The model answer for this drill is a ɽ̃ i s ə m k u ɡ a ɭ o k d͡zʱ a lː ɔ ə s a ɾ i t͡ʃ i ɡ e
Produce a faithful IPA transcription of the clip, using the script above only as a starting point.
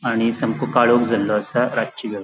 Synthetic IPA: a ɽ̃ i s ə m k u k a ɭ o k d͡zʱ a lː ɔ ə s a ɾ a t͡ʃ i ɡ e